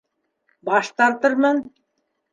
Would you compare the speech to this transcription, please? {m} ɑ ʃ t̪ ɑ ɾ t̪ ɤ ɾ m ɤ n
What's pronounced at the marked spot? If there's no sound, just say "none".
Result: b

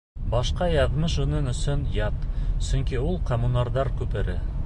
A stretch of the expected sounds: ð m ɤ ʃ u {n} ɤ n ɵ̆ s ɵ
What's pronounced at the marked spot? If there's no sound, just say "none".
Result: n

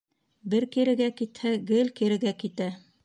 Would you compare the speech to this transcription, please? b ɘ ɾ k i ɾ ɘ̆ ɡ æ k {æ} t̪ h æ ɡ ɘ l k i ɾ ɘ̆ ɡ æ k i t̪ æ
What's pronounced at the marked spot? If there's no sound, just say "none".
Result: i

